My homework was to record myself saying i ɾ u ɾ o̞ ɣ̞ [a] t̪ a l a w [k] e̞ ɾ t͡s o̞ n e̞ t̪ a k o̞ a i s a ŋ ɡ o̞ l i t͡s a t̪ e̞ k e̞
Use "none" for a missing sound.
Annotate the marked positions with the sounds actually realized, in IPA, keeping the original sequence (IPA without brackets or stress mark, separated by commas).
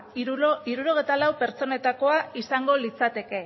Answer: e, p